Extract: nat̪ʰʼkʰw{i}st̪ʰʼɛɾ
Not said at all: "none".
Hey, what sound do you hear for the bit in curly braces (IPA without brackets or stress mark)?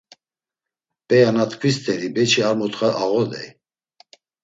i